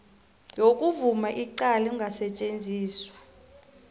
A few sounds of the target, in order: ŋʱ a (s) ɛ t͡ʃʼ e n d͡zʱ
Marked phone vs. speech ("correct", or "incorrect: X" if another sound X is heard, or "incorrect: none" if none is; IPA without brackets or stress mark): correct